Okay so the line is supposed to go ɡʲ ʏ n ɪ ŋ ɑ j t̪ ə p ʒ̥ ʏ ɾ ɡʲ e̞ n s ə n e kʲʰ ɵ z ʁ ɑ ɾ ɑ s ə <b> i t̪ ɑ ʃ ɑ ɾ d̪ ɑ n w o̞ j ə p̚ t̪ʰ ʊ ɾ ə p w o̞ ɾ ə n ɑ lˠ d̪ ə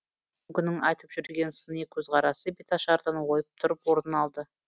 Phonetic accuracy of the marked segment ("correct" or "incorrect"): correct